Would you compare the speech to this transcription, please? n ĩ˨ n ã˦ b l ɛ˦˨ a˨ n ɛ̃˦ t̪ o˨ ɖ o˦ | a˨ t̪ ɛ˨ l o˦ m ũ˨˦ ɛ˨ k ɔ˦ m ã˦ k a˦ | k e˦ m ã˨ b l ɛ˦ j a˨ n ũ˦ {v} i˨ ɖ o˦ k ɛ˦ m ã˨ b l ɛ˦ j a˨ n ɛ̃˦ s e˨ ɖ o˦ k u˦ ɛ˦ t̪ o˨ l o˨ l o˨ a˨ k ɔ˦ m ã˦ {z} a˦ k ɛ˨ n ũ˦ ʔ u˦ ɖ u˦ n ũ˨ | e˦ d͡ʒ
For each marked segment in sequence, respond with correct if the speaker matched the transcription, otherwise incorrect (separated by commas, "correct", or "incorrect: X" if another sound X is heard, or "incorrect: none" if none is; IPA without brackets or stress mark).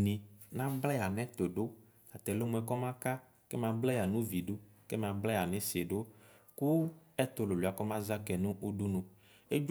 correct, correct